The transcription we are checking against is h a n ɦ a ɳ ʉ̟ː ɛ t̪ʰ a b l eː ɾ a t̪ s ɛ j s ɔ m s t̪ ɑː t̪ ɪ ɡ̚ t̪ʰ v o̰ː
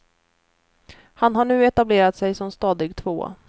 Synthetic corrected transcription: h a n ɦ a ɳ ʉ̟ː ɛ t̪ a b l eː ɾ a t̪ s ɛ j s ɔ m s t̪ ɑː d̪ ɪ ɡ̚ t̪ʰ v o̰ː